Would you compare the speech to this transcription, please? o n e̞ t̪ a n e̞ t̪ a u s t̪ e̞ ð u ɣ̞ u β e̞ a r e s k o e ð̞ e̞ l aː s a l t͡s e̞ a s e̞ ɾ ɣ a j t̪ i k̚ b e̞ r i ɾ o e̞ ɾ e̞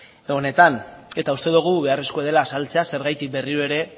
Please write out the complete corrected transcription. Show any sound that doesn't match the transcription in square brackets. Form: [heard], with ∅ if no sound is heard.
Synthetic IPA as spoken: o n e̞ t̪ a n e̞ t̪ a u s t̪ e̞ ð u ɣ̞ u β e̞ a r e s k o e ð̞ e̞ l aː s a l t͡s e̞ a s e̞ ɾ ɣ a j t̪ i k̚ b e̞ r i ɾ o e̞ ɾ e̞